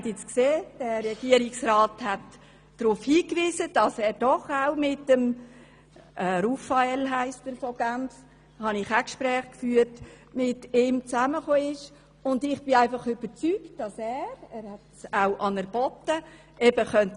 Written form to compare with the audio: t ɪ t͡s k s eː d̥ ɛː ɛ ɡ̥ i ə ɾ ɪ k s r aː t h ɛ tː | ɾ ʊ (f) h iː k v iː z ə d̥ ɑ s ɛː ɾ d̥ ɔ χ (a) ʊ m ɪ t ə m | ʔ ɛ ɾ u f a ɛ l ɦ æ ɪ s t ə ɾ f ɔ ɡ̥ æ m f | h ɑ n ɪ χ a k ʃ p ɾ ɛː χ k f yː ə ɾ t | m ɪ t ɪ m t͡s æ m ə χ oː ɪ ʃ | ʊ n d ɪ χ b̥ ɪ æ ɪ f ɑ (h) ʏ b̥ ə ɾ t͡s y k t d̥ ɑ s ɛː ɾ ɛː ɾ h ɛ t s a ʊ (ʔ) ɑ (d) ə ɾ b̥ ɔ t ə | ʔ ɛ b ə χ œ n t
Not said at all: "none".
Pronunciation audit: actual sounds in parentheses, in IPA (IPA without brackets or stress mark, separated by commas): f, a, χ, ʔ, n